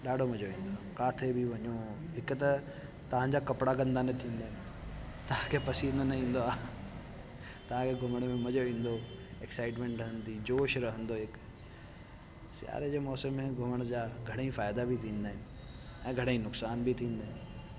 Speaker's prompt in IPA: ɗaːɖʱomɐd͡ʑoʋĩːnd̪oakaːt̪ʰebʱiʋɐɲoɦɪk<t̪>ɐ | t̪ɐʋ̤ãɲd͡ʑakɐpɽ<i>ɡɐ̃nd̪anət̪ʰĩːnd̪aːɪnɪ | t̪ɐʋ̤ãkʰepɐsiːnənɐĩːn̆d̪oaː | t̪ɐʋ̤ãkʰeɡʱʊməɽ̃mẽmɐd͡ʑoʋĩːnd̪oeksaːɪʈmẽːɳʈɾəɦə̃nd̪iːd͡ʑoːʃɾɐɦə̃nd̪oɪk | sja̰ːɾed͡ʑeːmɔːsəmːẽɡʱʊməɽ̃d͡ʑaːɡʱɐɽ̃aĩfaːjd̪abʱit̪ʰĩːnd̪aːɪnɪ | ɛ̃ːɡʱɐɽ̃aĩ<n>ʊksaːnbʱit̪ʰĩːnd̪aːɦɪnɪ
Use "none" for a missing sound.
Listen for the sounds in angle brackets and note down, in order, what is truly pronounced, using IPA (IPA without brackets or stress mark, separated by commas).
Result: t̪, a, n